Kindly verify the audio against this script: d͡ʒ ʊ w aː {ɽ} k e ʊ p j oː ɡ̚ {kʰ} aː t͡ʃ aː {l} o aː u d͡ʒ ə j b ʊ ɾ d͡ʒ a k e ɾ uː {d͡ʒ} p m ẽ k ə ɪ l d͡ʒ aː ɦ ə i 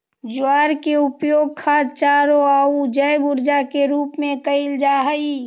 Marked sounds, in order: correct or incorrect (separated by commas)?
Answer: incorrect, correct, incorrect, incorrect